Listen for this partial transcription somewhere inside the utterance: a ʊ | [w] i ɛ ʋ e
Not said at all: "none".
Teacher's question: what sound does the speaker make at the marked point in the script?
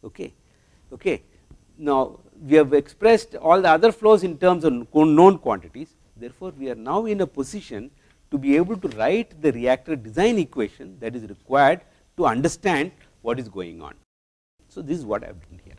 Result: ʋ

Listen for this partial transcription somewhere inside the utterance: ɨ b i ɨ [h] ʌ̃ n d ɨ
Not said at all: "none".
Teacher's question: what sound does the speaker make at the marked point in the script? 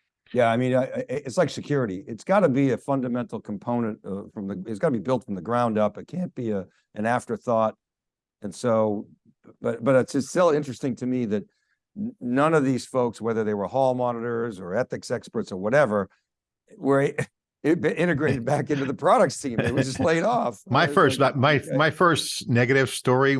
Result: f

